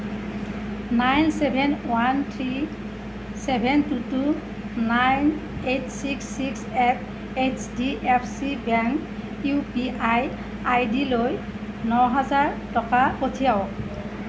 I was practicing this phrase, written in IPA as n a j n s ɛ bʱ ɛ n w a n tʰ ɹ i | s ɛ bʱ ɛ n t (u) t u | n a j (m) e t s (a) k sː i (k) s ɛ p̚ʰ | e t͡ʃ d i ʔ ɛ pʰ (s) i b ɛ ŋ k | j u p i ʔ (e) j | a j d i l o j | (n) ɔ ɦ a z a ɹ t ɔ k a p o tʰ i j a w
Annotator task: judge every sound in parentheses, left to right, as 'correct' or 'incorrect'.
correct, incorrect: n, incorrect: i, correct, correct, incorrect: a, correct

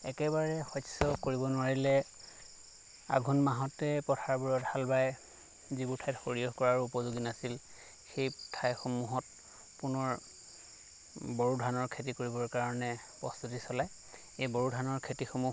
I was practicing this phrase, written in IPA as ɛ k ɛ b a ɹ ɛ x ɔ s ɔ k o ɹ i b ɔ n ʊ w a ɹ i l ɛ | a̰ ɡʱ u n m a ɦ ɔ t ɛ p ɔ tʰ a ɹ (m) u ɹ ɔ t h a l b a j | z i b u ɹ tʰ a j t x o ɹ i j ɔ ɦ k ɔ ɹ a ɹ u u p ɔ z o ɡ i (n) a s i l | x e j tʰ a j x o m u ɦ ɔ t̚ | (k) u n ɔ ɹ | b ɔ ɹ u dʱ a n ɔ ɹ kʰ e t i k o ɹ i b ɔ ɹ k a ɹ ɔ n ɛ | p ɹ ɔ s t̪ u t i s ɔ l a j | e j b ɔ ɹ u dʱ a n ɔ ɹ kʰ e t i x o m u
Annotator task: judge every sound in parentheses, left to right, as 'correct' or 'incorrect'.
incorrect: b, correct, incorrect: p

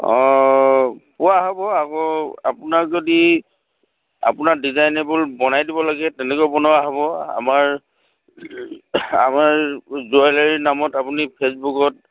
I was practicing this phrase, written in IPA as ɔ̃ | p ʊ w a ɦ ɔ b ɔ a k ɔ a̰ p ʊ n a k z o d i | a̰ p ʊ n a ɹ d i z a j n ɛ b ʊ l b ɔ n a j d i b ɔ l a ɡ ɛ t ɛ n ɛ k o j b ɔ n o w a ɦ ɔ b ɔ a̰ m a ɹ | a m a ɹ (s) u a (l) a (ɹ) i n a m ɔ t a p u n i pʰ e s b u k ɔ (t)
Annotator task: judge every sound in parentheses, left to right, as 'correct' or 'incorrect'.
incorrect: z, correct, correct, correct

